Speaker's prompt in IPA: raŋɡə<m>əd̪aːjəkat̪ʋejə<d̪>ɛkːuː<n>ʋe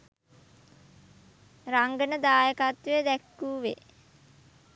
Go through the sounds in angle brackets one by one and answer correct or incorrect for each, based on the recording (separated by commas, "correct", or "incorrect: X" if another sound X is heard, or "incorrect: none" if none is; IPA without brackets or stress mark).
incorrect: n, correct, incorrect: none